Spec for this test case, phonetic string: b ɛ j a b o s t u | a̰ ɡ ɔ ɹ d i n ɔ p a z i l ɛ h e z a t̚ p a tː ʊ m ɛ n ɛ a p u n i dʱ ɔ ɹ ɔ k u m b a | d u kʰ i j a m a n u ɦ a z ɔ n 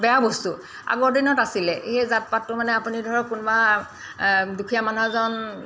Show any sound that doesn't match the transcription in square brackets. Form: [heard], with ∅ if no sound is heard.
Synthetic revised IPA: b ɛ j a b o s t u | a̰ ɡ ɔ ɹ d i n ɔ [t] a [s] i l ɛ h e z a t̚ p a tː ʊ m [a] n ɛ a p u n i dʱ ɔ ɹ ɔ k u [n] b a | d u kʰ i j a m a n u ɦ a z ɔ n